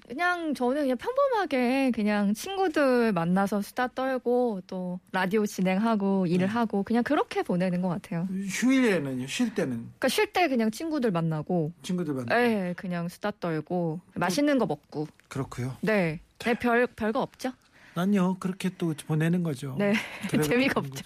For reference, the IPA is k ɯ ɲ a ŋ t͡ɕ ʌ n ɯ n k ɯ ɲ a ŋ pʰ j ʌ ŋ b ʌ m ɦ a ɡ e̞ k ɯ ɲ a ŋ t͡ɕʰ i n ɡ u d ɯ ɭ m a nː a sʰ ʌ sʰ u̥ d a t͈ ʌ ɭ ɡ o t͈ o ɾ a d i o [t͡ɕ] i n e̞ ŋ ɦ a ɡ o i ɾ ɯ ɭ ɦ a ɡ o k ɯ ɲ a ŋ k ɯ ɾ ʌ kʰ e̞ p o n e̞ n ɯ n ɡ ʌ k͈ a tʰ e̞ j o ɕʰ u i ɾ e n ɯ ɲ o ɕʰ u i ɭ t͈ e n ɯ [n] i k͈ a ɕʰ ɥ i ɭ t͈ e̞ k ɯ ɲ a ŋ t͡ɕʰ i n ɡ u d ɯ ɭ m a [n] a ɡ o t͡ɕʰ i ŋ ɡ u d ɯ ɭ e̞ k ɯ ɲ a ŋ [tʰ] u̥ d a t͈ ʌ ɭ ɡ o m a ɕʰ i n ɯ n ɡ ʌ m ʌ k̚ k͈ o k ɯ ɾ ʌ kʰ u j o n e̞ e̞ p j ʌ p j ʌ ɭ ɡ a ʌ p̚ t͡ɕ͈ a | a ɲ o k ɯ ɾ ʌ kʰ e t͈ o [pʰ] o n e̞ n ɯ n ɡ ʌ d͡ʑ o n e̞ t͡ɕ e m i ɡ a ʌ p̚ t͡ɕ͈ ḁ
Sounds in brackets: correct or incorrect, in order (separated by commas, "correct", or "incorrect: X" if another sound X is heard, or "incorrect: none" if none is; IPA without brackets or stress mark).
correct, correct, incorrect: nː, incorrect: sʰ, incorrect: p